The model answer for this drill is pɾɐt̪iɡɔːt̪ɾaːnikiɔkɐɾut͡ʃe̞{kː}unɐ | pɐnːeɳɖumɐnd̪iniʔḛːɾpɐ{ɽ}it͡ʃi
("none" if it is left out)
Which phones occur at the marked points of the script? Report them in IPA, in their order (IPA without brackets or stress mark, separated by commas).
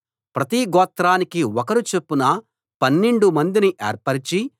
pː, ɾ